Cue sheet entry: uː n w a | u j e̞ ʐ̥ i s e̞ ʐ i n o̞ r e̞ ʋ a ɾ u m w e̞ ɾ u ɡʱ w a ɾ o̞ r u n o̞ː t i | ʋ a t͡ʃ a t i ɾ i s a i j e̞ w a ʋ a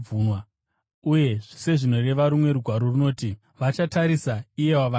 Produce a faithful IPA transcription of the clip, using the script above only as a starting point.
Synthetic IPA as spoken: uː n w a | u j e̞ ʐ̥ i s e̞ ʐ i n o̞ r e̞ ʋ a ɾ u m w e̞ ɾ u ɡʱ w a ɾ o̞ r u n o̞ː t i | ʋ a t͡ʃ a t a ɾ i s a i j e̞ w a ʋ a